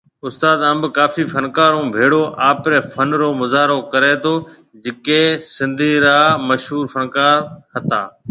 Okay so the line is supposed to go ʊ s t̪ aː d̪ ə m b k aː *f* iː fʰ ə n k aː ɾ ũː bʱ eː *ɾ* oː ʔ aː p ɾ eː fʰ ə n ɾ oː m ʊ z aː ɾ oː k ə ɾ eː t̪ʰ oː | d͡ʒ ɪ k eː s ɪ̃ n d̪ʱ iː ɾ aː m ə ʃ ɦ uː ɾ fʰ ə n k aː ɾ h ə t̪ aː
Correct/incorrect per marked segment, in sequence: correct, incorrect: ɽ

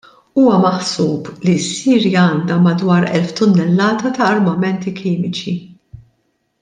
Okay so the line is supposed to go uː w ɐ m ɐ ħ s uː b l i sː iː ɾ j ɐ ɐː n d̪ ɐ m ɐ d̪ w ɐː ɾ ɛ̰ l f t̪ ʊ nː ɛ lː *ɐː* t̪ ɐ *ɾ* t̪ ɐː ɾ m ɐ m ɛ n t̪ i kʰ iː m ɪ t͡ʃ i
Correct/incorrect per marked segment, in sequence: correct, incorrect: none

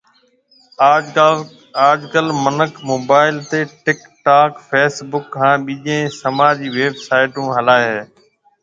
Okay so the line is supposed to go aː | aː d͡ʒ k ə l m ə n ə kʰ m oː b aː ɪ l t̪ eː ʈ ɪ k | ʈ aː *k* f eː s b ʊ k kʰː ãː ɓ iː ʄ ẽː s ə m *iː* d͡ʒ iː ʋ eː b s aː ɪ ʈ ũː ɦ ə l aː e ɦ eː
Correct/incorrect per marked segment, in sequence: correct, incorrect: aː

